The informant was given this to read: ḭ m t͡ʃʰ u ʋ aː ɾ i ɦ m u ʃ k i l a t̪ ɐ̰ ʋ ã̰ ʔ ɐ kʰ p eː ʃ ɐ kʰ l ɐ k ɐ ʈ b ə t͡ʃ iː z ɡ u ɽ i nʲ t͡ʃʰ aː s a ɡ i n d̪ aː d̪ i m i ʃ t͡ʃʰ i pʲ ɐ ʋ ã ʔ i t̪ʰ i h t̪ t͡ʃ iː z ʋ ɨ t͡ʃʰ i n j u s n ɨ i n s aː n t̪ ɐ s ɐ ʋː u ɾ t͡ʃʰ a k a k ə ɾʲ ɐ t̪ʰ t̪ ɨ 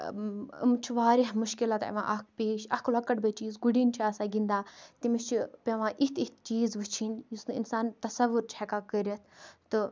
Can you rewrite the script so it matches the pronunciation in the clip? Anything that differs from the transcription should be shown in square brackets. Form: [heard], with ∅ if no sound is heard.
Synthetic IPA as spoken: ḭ m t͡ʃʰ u ʋ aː ɾ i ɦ m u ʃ k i l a t̪ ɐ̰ ʋ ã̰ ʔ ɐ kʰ p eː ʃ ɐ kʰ l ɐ k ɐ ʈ b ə t͡ʃ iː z ɡ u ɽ i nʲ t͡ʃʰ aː s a ɡ i n d̪ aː [t̪] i m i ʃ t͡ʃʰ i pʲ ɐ ʋ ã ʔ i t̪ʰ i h t̪ t͡ʃ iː z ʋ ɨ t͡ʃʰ i n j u s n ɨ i n s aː n t̪ ɐ s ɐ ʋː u ɾ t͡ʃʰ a k a k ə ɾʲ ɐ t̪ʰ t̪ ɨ